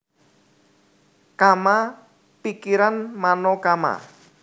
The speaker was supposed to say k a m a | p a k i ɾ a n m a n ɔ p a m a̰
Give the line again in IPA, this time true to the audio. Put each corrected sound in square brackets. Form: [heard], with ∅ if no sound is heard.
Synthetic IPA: k a m a | p [i] k i ɾ a n m a n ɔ [k] a m a̰